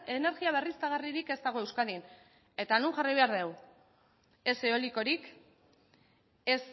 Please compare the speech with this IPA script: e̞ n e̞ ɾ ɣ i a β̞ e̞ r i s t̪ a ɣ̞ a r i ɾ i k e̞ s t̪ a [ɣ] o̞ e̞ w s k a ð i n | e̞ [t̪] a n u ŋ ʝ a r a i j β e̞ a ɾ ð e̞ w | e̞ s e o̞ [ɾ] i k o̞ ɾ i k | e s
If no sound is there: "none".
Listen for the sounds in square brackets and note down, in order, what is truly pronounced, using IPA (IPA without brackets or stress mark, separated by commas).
ɣ, t̪, l